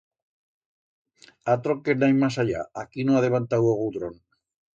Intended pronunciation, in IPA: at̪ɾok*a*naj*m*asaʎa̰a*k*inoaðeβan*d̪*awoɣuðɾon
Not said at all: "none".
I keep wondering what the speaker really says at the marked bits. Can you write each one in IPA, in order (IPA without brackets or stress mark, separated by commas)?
e, m, k, t̪